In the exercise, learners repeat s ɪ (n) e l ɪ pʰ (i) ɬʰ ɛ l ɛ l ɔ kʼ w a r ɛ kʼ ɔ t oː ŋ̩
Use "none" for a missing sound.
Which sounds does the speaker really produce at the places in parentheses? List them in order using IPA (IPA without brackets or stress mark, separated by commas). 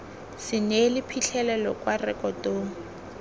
n, i